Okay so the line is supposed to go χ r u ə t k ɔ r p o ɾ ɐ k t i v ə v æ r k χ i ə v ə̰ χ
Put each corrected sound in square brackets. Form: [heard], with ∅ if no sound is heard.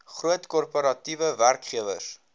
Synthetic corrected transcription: χ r u ə t k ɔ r p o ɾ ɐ [∅] t i v ə v æ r k χ i ə v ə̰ [s]